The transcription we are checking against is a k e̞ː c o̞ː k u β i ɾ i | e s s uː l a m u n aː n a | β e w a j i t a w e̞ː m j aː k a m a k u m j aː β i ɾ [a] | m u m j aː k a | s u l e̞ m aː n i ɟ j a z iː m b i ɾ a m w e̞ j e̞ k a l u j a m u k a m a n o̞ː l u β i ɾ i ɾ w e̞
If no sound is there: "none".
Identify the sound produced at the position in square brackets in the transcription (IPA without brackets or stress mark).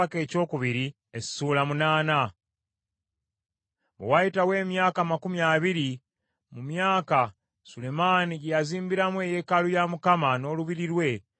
i